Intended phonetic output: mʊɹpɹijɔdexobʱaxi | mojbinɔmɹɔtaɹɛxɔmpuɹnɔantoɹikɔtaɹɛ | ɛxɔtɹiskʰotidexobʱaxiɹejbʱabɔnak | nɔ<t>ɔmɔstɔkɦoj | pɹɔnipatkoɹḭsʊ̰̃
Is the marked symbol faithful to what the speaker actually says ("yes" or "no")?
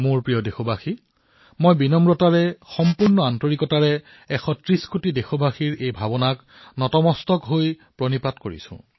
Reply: yes